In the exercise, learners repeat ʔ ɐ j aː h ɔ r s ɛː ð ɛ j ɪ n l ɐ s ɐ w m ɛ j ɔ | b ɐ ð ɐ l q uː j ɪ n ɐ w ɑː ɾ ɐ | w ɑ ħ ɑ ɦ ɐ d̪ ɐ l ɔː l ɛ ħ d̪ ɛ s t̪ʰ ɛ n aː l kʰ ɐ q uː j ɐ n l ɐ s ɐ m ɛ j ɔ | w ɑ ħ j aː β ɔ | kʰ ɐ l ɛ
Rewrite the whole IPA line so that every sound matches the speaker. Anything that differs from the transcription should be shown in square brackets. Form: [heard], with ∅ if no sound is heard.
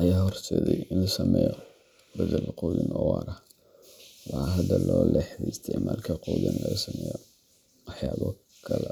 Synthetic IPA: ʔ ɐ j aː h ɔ r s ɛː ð ɛ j ɪ n l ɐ s ɐ [∅] m ɛ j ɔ | b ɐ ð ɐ l q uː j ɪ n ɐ w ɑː ɾ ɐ | w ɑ ħ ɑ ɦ ɐ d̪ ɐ l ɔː l ɛ ħ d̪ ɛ s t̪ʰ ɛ [m] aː l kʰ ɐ q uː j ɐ n l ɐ s ɐ m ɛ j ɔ | w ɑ ħ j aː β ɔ | kʰ ɐ l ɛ

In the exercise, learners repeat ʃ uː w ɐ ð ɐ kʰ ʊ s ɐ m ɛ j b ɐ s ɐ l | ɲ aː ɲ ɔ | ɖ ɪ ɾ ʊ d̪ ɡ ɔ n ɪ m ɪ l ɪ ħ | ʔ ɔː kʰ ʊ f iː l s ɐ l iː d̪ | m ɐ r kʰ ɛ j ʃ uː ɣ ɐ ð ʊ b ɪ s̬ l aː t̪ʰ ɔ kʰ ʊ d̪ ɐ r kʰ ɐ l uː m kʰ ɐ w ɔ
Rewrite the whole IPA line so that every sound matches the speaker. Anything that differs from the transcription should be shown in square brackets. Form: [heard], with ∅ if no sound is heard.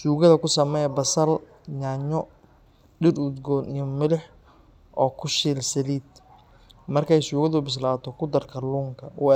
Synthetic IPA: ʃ uː [ɣ] ɐ ð ɐ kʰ ʊ s ɐ m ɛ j b ɐ s ɐ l | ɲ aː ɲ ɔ | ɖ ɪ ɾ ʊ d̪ ɡ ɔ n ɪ m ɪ l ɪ ħ | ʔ ɔː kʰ ʊ [ʃ] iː l s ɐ l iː d̪ | m ɐ r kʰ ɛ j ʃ uː ɣ ɐ ð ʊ b ɪ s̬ l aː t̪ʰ ɔ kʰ ʊ d̪ ɐ r kʰ ɐ l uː [ŋ] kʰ ɐ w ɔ

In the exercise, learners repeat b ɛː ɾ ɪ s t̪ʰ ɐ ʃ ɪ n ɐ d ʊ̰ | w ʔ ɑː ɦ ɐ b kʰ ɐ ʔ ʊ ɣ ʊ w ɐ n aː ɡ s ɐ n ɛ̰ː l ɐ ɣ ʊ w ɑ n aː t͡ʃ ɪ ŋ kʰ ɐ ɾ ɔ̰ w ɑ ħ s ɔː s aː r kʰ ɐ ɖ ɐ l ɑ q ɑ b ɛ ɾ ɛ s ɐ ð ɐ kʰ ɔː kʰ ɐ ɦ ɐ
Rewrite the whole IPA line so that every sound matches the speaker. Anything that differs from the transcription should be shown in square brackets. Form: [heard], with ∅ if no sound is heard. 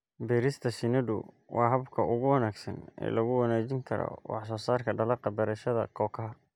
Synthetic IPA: b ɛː ɾ ɪ s t̪ʰ ɐ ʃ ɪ n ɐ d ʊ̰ | w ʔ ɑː ɦ ɐ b kʰ ɐ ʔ ʊ ɣ ʊ w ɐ n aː ɡ s ɐ n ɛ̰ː l ɐ ɣ ʊ w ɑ n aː t͡ʃ ɪ ŋ kʰ ɐ ɾ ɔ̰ w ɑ ħ s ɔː s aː r kʰ ɐ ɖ ɐ l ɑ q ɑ b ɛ ɾ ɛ [ʃ] ɐ ð ɐ kʰ ɔː kʰ ɐ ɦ ɐ

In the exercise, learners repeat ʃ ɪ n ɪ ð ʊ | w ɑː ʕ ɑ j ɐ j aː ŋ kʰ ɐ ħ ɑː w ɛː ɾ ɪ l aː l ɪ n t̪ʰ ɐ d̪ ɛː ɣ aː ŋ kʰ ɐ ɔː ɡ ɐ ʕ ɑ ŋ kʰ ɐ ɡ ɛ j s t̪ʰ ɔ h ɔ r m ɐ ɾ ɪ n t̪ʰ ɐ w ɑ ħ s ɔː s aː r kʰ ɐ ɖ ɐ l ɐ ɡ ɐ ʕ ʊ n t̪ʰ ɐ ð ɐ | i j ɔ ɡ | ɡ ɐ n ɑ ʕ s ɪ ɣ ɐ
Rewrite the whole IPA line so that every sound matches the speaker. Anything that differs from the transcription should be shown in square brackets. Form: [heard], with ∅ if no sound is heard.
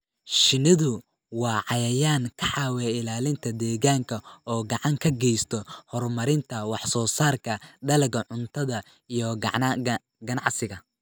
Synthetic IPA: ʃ ɪ n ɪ ð ʊ | w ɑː ʕ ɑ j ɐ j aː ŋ kʰ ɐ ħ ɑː w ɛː [∅] ɪ l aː l ɪ n t̪ʰ ɐ d̪ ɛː ɣ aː ŋ kʰ ɐ ɔː ɡ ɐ ʕ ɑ ŋ kʰ ɐ ɡ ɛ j s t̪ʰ ɔ h ɔ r m ɐ ɾ ɪ n t̪ʰ ɐ w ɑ ħ s ɔː s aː r kʰ ɐ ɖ ɐ l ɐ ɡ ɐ ʕ ʊ n t̪ʰ ɐ ð ɐ | i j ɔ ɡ | ɡ ɐ n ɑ ʕ s ɪ ɣ ɐ

